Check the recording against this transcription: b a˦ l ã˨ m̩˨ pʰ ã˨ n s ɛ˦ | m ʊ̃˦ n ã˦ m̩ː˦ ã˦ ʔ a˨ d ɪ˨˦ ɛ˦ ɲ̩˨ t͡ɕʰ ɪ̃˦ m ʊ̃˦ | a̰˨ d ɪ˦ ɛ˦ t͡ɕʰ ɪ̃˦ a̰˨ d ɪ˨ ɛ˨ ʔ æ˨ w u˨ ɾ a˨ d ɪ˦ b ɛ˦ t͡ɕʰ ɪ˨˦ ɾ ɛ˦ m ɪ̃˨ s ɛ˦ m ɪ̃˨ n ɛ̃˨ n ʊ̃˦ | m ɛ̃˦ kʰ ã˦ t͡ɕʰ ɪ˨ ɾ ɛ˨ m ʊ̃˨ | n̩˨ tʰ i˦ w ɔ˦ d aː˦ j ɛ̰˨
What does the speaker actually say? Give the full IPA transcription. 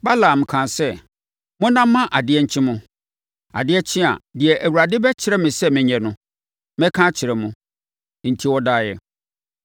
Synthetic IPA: b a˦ l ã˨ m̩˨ kʰ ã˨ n s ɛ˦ | m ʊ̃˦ n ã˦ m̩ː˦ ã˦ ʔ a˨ d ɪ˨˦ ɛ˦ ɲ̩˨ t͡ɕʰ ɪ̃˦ m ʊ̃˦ | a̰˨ d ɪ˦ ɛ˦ t͡ɕʰ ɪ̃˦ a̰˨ d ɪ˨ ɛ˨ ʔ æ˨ w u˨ ɾ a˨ d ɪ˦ b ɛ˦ t͡ɕʰ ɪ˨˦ ɾ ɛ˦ m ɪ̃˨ s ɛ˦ m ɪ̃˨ ɲ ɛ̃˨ n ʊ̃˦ | m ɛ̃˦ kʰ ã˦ t͡ɕʰ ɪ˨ ɾ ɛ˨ m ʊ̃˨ | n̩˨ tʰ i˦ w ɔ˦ d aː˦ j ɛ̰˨